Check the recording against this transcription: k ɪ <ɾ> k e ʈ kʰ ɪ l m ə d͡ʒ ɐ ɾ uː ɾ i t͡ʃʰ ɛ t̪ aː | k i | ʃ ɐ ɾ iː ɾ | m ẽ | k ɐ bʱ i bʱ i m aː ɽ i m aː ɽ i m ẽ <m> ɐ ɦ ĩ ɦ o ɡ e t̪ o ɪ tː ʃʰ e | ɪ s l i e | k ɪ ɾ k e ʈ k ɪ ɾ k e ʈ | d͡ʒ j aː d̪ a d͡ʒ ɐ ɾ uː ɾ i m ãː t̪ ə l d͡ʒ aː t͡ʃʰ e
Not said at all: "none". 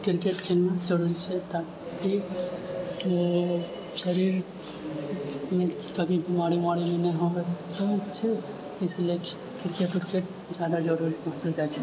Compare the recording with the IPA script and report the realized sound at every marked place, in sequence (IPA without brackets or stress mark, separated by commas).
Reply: ɾ, n